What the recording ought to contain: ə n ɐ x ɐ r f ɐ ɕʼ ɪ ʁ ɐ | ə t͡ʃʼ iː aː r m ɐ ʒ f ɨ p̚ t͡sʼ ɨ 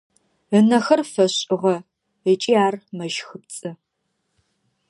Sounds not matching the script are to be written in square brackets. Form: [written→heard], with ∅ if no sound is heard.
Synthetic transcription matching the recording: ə n ɐ x ɐ r f ɐ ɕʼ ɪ ʁ ɐ | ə t͡ʃʼ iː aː r m ɐ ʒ [f→x] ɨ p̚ t͡sʼ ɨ